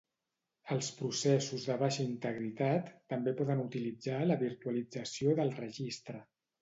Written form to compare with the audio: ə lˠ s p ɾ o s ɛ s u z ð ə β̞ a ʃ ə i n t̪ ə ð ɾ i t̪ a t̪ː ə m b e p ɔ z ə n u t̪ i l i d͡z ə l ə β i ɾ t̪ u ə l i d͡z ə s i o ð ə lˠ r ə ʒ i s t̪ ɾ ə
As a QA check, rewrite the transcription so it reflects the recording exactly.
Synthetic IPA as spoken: ə lˠ s p ɾ u s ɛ s u z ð ə β̞ a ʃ ə i n t̪ ə ɣ ɾ i t̪ a t̪ː ə m b e p ɔ ð ə n u t̪ i l i d͡z a l ə β i ɾ t̪ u ə l i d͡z ə s i o ð ə lˠ r ə ʒ i s t̪ ɾ ə